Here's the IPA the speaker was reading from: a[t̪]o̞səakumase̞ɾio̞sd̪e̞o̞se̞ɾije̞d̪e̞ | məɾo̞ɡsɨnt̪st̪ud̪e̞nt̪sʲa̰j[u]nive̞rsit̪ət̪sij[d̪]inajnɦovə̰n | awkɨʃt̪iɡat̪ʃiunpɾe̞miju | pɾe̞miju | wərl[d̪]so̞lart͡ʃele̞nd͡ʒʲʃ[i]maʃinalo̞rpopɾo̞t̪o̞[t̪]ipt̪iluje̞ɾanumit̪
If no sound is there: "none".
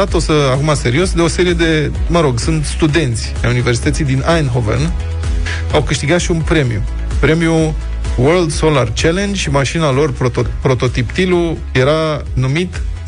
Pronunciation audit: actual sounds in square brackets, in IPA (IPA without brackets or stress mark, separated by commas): t̪, u, d̪, d̪, i, t̪